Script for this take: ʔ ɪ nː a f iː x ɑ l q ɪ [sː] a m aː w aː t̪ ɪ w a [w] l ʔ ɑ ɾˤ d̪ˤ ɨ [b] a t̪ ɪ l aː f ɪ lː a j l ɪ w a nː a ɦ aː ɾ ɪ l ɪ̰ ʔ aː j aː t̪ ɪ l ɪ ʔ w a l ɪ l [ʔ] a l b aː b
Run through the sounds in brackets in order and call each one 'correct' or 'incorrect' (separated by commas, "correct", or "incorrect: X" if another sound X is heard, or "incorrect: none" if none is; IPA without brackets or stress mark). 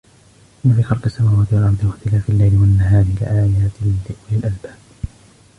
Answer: correct, incorrect: none, incorrect: w, correct